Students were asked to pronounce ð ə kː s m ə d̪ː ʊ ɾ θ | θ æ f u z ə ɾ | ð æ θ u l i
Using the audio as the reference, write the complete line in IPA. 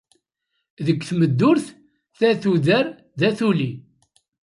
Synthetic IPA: ð ə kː θ m ə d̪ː ʊ ɾ θ | θ æ θ u ð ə ɾ | ð æ θ u l i